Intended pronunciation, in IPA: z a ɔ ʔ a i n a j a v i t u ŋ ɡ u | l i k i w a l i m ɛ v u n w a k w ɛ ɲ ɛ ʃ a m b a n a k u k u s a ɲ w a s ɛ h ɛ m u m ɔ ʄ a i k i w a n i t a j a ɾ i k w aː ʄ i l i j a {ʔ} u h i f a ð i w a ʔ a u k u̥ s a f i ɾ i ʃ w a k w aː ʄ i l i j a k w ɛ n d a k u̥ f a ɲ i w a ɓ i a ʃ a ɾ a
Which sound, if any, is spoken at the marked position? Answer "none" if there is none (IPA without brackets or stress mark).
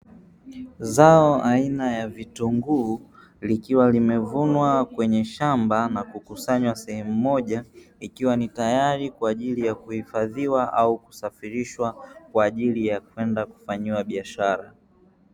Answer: k